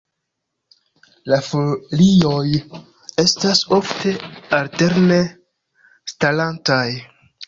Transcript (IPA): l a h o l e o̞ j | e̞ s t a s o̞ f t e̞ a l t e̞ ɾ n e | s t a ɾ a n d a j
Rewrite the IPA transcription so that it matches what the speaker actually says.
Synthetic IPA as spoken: l a f o l i o̞ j | e̞ s t a s o̞ f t e̞ a l t e̞ ɾ n e | s t a l a n t a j